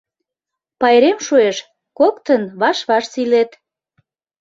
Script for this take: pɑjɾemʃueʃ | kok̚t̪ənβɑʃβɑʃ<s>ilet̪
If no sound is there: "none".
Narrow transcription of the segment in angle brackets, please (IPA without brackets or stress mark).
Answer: s